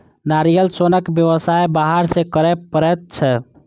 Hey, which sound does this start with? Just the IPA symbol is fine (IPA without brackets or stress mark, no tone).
n